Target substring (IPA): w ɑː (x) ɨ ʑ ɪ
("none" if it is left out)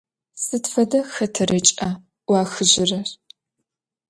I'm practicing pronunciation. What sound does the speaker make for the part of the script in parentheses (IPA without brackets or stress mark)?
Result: x